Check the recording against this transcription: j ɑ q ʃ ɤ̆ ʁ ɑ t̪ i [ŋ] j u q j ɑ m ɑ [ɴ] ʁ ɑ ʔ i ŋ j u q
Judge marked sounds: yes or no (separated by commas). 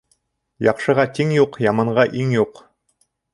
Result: yes, yes